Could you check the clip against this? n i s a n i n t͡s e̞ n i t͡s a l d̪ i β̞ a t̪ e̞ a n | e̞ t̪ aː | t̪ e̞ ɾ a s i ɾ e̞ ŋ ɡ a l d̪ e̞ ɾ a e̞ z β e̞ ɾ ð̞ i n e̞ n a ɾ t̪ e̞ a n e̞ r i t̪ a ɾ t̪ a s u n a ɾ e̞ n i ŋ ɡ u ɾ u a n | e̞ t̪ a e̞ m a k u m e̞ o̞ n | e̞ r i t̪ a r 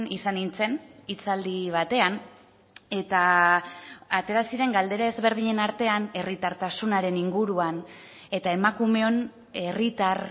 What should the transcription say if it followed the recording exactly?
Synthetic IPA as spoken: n i s a n i n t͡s e̞ n i t͡s a l d̪ i β̞ a t̪ e̞ a n | e̞ t̪ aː | t̪ e̞ ɾ a s i ɾ e̞ ŋ ɡ a l d̪ e̞ ɾ a e̞ z β e̞ ɾ ð̞ i ɲ e̞ n a ɾ t̪ e̞ a n e̞ r i t̪ a ɾ t̪ a s u n a ɾ e̞ n i ŋ ɡ u ɾ u a n | e̞ t̪ a e̞ m a k u m e̞ o̞ n | e̞ r i t̪ a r

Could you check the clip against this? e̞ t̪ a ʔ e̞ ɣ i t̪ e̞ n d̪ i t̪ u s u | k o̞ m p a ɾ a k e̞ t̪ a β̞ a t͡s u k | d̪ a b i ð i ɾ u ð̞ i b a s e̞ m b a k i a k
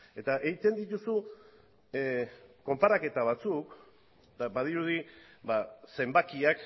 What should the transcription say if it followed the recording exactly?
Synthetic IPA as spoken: e̞ t̪ a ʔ e̞ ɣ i t̪ e̞ n d̪ i t̪ u s u | k o̞ m p a ɾ a k e̞ t̪ a β̞ a t͡s u k | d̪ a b a ð i ɾ u ð̞ i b a s e̞ m b a k i a k

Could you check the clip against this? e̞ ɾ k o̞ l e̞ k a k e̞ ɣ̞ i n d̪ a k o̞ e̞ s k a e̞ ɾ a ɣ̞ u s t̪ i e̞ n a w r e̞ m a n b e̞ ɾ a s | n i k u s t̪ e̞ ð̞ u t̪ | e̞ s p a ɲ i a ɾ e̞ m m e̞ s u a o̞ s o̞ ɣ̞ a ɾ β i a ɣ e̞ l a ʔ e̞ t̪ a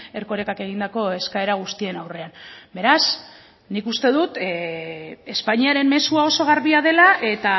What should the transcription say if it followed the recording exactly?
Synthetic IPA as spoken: e̞ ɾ k o̞ ɾ e̞ k a k e̞ ɣ̞ i n d̪ a k o̞ e̞ s k a e̞ ɾ a ɣ̞ u s t̪ i e̞ n a w r e̞ a n b e̞ ɾ a s | n i k u s t̪ e̞ ð̞ u t̪ | e̞ s p a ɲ i a ɾ e̞ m m e̞ s u a o̞ s o̞ ɣ̞ a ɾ β i a ð e̞ l a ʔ e̞ t̪ a

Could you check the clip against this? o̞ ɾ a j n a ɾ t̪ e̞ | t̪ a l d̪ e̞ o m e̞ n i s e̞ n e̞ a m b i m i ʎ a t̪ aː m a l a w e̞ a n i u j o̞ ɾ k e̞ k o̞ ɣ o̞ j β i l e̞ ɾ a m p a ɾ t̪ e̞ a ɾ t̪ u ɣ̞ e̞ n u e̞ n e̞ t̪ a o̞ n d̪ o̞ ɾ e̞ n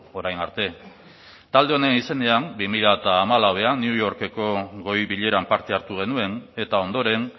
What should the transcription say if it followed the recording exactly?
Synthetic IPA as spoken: o̞ ɾ a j n a ɾ t̪ e̞ | t̪ a l d̪ e̞ o n e̞ n i s e̞ n e̞ a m b i m i ʎ a t̪ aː m a l a w e̞ a n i u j o̞ ɾ k e̞ k o̞ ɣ o̞ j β i ʎ e̞ ɾ a m p a ɾ t̪ e̞ a ɾ t̪ u ɣ̞ e̞ n u e̞ n e̞ t̪ a o̞ n d̪ o̞ ɾ e̞ n

